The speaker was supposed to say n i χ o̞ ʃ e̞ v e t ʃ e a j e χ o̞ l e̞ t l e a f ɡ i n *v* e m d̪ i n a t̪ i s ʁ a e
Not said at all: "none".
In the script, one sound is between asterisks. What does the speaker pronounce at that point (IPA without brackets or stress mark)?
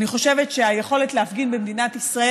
b